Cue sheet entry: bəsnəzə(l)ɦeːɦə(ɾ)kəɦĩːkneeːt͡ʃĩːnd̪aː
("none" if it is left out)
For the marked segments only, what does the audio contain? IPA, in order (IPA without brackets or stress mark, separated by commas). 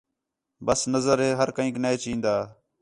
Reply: ɾ, ɾ